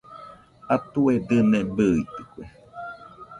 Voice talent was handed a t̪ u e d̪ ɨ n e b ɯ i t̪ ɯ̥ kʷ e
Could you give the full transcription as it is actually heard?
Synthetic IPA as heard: a t̪ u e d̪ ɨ n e b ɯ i t̪ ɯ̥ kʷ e